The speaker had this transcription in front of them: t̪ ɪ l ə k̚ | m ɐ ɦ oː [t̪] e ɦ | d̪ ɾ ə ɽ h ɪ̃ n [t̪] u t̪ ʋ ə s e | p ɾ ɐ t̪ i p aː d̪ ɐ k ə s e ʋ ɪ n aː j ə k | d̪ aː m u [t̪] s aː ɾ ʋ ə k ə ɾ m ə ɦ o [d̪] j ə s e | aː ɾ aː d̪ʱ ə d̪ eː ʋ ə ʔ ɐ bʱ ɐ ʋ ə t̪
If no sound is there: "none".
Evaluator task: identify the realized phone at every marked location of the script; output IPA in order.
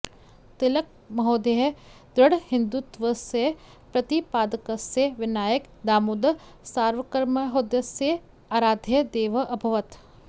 d̪, d̪, d̪, d̪

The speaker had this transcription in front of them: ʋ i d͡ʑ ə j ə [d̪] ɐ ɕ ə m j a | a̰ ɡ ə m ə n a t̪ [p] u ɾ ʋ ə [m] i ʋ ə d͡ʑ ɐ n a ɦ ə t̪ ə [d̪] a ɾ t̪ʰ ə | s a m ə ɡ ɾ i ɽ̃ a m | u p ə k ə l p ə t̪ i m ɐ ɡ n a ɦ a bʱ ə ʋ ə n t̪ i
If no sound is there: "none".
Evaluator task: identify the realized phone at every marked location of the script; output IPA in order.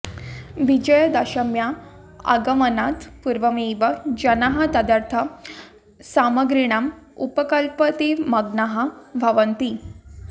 d̪, p, m, d̪

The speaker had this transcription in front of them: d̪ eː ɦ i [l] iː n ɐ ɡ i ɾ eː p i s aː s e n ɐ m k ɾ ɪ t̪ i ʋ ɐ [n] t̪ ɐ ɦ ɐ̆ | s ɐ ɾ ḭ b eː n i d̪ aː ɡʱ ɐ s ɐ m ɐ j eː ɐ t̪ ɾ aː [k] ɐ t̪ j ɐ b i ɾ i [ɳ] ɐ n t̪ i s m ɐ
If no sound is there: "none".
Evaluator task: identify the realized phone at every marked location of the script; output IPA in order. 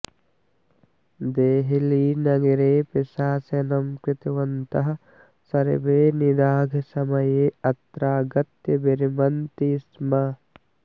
l, n, ɡ, m

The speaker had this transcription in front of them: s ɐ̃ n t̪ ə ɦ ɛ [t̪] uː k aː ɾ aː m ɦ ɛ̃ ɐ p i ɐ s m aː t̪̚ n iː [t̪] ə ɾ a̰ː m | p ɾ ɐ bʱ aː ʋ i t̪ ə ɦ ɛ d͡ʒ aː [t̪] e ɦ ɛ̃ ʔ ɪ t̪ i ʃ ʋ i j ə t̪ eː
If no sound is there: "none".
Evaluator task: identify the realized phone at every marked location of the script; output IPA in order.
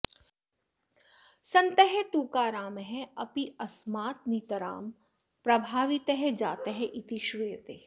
t̪, t̪, t̪

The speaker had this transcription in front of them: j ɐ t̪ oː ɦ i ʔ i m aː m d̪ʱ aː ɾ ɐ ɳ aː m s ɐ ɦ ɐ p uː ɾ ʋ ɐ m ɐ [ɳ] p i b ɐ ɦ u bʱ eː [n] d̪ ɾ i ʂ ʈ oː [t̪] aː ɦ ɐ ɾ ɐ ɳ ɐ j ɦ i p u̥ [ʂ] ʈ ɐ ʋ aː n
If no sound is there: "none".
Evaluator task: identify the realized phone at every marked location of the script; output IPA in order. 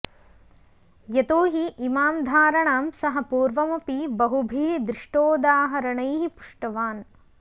none, none, d̪, ʂ

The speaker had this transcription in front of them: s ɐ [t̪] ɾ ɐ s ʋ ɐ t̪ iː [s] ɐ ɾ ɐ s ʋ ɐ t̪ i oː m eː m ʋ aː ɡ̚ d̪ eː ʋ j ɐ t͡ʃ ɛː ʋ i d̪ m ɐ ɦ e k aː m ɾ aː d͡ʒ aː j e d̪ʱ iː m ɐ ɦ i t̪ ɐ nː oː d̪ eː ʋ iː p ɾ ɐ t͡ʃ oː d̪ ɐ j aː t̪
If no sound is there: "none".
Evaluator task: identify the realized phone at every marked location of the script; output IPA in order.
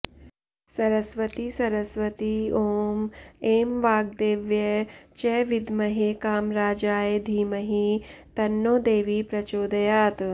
none, s

